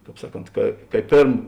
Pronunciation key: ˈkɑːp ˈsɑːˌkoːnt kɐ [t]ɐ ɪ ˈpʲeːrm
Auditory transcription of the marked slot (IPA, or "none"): k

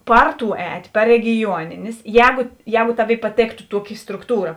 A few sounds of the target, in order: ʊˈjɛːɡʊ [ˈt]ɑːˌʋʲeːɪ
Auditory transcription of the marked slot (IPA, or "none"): t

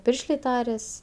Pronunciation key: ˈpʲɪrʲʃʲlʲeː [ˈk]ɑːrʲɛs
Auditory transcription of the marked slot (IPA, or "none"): t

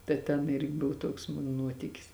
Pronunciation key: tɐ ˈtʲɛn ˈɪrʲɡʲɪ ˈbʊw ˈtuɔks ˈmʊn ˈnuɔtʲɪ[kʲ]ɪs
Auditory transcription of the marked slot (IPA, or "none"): kʲ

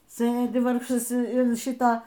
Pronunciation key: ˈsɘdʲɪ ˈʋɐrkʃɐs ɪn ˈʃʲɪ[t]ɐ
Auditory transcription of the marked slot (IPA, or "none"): t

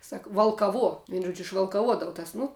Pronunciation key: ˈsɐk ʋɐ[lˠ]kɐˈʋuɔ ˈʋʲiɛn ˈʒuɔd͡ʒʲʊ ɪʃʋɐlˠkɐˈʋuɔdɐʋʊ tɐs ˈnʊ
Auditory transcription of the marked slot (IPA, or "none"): lˠ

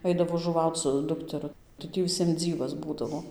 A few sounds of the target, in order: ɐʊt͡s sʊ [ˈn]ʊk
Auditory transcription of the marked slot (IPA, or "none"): d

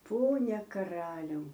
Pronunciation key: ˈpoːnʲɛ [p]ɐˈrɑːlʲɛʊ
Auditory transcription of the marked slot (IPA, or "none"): k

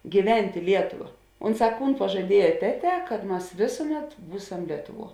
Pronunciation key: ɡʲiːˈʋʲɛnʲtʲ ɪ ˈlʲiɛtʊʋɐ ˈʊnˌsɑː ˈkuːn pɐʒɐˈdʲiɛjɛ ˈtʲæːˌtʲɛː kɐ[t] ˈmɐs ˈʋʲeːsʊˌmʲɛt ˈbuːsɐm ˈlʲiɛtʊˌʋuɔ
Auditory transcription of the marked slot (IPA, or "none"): t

